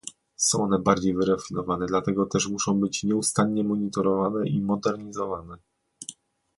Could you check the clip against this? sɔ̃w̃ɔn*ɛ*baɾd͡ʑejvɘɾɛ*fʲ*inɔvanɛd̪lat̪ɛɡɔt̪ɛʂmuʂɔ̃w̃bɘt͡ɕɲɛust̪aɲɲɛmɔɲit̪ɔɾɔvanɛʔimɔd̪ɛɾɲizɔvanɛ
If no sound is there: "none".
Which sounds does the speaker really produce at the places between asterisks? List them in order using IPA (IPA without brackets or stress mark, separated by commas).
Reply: ɛ, fʲ